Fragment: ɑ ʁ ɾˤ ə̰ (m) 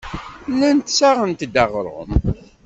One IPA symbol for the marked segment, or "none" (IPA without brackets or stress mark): m